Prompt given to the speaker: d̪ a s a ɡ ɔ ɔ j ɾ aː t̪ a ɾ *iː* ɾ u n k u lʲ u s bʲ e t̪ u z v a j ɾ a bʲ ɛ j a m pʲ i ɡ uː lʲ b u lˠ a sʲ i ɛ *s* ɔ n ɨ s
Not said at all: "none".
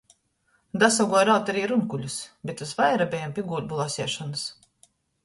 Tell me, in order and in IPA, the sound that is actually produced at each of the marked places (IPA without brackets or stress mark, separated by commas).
iː, ʃ